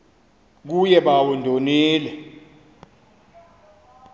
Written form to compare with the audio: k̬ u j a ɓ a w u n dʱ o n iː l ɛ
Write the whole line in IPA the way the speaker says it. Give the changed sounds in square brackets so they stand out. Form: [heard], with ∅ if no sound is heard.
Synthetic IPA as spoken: k̬ u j [ɛ] ɓ a w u n dʱ o n iː l ɛ